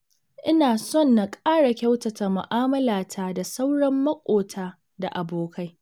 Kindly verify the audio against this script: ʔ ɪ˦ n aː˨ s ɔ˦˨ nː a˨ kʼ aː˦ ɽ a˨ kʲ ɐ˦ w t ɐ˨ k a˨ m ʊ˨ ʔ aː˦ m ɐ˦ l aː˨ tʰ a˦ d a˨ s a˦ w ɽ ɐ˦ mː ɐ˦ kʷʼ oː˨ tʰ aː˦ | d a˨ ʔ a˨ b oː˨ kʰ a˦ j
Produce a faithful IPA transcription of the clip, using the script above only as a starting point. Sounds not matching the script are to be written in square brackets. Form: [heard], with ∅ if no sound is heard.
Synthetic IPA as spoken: ʔ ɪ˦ n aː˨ s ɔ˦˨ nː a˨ kʼ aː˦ ɽ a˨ kʲ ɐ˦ w t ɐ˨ [t] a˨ m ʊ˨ ʔ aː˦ m ɐ˦ l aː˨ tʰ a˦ d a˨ s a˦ w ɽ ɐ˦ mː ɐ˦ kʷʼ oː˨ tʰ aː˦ | d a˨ ʔ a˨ b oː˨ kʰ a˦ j

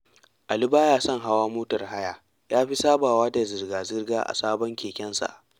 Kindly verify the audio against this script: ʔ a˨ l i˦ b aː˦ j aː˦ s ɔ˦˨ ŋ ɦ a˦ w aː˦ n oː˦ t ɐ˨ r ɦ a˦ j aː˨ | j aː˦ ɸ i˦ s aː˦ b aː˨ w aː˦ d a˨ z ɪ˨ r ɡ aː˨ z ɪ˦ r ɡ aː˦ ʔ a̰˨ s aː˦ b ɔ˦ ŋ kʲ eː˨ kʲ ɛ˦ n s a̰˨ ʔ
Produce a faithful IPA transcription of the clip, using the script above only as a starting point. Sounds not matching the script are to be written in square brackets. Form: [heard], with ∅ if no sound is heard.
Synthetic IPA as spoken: ʔ a˨ l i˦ b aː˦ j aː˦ s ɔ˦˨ ŋ ɦ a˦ w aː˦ [m] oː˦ t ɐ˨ r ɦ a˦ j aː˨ | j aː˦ ɸ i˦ s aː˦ b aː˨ w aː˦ d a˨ z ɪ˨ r ɡ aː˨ z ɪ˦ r ɡ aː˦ ʔ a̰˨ s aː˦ b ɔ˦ ŋ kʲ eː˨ kʲ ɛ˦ n s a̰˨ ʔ

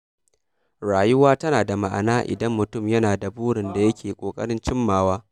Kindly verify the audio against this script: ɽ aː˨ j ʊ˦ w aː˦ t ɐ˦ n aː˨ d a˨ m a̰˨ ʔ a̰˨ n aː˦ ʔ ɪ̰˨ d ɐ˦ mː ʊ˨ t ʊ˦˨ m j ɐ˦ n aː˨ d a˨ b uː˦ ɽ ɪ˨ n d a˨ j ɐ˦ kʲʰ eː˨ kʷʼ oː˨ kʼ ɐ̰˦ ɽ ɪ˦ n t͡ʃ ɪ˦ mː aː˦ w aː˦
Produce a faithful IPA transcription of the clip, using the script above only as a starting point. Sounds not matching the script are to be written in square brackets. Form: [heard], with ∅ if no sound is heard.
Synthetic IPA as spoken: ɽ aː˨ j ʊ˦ w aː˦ t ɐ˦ n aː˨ d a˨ m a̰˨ ʔ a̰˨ n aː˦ ʔ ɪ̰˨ d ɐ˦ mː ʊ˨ t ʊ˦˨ m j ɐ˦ n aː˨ d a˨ b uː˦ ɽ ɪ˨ n d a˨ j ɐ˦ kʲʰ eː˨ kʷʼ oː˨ kʼ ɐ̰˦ ɽ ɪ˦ n t͡ʃ ɪ˦ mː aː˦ w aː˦

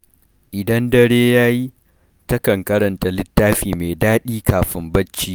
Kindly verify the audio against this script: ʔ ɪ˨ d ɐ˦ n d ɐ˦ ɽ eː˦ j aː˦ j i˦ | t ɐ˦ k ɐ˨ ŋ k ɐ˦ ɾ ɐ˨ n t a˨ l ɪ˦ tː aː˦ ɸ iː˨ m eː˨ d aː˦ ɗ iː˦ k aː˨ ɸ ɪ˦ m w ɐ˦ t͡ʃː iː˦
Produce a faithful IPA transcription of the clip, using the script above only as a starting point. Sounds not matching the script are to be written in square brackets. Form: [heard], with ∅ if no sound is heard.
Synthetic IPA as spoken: ʔ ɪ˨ d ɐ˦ n d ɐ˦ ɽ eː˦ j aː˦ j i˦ | t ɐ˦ k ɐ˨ ŋ k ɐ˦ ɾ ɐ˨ n t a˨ l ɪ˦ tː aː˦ ɸ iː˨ m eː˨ d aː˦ ɗ iː˦ k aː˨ ɸ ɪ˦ m [b] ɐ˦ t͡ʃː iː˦

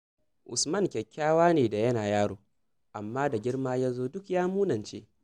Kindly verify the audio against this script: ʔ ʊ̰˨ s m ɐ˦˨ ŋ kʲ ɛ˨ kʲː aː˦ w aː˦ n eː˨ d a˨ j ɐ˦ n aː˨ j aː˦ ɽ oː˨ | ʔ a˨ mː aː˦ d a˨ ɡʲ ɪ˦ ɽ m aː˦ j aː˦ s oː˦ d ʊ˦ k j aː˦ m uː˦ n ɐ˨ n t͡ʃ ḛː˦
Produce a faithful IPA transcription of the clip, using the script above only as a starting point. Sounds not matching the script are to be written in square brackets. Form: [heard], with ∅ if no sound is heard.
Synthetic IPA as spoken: ʔ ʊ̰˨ s m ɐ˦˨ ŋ kʲ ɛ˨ kʲː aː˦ w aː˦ n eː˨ d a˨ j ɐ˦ n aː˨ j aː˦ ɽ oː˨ | ʔ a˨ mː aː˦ d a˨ ɡʲ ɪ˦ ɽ m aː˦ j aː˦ [z] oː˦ d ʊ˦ k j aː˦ m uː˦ n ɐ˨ n t͡ʃ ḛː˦

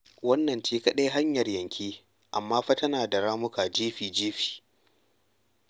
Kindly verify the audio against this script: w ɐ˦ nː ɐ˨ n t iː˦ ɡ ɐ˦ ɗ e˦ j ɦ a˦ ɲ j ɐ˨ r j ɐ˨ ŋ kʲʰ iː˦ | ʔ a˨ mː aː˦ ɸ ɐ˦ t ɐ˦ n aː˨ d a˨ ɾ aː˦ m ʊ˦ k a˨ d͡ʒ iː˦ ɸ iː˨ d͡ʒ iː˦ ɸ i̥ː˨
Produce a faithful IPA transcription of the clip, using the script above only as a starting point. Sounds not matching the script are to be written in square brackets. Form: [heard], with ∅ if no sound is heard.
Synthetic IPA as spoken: w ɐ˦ nː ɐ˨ n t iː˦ [k] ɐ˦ ɗ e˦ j ɦ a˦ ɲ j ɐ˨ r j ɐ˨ ŋ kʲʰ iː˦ | ʔ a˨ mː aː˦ ɸ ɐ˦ t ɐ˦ n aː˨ d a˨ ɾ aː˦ m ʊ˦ k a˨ d͡ʒ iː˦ ɸ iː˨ d͡ʒ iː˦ ɸ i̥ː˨

